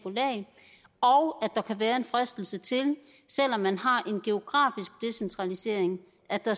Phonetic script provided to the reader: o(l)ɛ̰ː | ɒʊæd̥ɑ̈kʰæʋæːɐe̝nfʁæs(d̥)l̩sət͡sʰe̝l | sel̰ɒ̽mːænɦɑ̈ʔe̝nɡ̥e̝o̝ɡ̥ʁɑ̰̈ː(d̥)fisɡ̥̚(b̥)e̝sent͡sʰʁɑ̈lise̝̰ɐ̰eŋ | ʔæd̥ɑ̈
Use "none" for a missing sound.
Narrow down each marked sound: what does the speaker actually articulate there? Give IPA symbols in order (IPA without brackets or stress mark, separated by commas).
l, d̥, none, d̥